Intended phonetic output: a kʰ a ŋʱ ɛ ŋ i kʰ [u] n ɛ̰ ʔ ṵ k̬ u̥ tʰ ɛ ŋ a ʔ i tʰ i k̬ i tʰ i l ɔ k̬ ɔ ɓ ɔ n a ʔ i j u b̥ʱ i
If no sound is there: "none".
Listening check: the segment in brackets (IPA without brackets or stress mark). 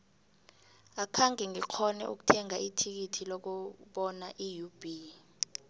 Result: ɔ